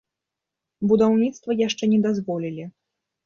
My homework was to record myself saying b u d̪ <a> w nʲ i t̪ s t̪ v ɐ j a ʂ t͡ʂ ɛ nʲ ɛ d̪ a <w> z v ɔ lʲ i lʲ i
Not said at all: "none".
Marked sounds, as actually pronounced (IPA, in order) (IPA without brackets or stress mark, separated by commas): a, none